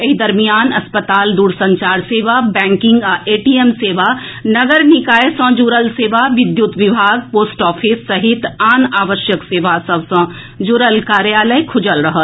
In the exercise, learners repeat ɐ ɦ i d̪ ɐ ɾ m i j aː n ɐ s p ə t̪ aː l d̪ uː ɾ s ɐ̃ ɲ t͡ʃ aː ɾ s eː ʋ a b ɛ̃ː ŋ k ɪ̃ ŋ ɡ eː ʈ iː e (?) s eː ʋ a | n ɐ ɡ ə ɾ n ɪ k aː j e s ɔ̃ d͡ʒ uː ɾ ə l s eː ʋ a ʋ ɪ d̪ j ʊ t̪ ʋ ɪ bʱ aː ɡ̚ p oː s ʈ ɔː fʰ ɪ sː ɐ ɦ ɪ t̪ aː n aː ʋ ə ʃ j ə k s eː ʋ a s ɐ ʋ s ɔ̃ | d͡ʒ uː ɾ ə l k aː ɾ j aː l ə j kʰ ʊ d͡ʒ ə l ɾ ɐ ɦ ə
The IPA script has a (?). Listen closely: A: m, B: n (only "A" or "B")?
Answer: A